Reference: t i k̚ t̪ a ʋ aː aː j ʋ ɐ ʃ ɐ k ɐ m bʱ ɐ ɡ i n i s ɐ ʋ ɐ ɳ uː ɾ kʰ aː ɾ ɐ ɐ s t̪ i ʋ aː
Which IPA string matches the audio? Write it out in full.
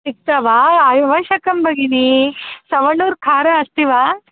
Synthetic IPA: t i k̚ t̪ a ʋ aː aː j ʋ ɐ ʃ ɐ k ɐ m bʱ ɐ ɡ i n i s ɐ ʋ ɐ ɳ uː ɾ kʰ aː ɾ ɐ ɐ s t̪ i ʋ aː